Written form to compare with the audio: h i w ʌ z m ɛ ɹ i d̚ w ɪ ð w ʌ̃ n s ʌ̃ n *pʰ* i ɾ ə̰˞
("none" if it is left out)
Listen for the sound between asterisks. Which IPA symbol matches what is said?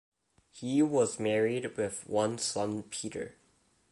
pʰ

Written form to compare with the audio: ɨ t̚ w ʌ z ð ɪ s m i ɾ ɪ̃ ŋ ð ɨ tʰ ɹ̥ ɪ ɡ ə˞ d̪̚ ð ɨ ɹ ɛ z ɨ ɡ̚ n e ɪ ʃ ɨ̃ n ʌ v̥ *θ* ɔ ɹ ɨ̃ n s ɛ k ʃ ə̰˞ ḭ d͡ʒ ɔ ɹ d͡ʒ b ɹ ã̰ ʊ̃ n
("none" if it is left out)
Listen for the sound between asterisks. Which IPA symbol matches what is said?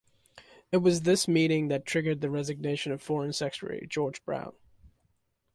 f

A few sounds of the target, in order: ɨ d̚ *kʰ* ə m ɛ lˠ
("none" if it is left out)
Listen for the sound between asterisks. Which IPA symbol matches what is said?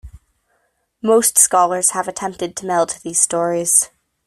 tʰ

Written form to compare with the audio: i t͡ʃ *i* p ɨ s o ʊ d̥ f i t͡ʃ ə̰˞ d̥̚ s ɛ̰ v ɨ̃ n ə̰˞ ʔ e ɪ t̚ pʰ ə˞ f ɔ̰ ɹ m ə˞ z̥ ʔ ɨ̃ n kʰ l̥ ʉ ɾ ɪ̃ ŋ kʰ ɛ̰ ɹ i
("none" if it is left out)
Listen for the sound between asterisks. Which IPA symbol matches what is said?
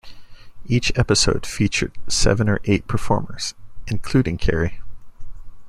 ɛ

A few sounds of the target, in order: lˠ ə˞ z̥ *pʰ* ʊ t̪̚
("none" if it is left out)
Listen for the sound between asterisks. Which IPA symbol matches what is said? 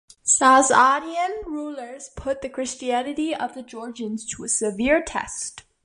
pʰ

